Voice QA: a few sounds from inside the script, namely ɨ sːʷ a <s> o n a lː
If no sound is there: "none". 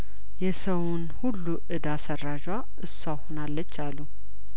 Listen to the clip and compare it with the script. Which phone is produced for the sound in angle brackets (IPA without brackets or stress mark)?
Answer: h